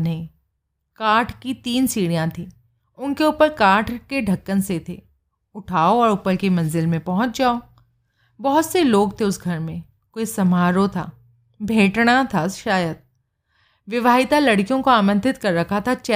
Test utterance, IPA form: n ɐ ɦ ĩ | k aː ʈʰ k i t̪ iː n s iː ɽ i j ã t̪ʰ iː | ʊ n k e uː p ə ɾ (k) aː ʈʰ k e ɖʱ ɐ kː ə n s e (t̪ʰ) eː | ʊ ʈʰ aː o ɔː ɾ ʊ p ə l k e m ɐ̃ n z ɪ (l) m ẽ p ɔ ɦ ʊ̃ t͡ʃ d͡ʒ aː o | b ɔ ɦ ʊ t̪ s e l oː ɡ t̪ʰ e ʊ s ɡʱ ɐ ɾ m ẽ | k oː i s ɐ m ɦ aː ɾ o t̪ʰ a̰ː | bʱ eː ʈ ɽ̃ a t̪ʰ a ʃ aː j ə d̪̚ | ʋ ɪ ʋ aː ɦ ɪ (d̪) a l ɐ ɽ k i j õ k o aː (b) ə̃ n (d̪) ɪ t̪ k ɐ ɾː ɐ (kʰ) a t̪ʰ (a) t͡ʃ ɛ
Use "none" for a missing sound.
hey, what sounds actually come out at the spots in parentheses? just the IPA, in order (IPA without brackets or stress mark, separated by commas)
k, t̪ʰ, l, t̪, m, t̪, kʰ, a